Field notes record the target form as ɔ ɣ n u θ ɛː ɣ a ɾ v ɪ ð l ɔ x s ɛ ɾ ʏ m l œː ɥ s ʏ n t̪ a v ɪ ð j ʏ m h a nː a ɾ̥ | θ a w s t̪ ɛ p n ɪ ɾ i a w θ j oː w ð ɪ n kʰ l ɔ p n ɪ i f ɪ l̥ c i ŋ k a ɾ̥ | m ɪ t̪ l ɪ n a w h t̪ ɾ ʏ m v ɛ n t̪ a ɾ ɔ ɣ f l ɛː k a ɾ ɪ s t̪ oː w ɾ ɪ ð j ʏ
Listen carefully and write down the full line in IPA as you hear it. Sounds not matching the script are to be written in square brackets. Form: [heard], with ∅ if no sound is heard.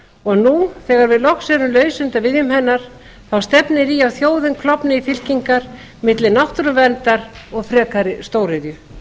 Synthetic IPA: ɔ ɣ n u θ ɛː ɣ a ɾ v ɪ ð l ɔ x s ɛ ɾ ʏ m l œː ɥ s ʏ n t̪ a v ɪ ð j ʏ m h [ɛ] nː a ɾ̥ | θ a w s t̪ ɛ p n ɪ ɾ i a w θ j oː w ð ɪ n kʰ l ɔ p n ɪ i f ɪ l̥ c i ŋ k a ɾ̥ | m ɪ t̪ l ɪ n a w h t̪ ɾ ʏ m v ɛ n t̪ a ɾ ɔ ɣ f [ɾ] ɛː k a ɾ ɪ s t̪ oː w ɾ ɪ ð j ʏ